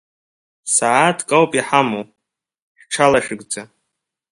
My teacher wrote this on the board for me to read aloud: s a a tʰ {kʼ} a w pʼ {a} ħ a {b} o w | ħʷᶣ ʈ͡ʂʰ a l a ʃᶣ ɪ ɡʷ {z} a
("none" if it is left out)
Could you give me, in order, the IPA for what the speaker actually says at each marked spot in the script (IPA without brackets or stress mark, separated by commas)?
kʼ, i, m, d͡z